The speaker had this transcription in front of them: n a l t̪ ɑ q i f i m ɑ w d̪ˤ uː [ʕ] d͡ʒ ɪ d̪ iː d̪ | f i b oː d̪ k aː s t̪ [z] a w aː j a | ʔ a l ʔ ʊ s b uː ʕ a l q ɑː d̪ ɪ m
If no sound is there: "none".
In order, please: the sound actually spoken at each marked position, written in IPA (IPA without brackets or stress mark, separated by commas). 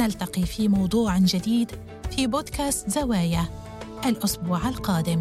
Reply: ʕ, z